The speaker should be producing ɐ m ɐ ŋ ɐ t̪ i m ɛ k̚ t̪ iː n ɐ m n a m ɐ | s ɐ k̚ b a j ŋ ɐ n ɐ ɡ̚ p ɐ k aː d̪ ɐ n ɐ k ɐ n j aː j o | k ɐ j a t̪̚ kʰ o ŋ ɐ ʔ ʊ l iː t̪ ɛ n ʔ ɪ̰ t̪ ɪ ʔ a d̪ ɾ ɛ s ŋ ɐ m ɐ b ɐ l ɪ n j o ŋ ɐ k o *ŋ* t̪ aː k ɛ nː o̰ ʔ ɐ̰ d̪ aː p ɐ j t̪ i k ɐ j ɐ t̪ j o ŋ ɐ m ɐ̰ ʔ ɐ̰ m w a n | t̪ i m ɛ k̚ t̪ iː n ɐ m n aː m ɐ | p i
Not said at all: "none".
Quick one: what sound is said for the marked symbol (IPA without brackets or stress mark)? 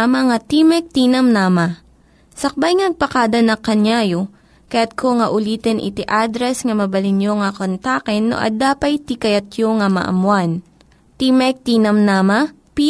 n